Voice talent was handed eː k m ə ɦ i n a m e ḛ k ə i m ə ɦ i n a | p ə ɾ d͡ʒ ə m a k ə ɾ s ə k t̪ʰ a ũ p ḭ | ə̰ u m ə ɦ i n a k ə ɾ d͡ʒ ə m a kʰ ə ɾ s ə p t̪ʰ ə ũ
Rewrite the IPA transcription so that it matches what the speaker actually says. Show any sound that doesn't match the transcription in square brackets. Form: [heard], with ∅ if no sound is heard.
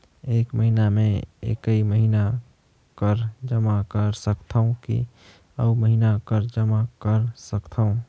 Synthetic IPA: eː k m ə ɦ i n a m e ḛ k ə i m ə ɦ i n a | [k] ə ɾ d͡ʒ ə m a k ə ɾ s ə k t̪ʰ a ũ [k] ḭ | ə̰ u m ə ɦ i n a k ə ɾ d͡ʒ ə m a [k] ə ɾ s ə [k] t̪ʰ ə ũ